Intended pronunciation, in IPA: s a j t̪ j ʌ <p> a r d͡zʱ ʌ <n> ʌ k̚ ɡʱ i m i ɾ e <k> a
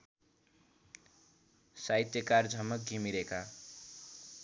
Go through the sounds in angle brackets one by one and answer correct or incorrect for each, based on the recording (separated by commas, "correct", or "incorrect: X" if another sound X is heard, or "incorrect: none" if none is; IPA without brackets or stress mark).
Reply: incorrect: k, incorrect: m, correct